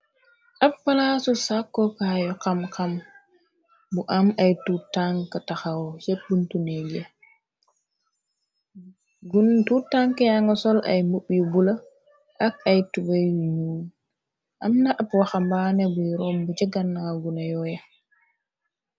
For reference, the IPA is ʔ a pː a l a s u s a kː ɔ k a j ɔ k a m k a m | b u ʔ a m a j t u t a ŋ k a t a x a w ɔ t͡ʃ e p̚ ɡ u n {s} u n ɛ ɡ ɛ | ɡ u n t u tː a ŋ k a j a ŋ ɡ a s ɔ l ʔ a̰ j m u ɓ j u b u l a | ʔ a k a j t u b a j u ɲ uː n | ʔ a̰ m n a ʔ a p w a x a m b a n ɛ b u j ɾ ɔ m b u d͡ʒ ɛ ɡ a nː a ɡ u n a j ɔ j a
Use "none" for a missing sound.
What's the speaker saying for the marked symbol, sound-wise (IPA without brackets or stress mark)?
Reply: t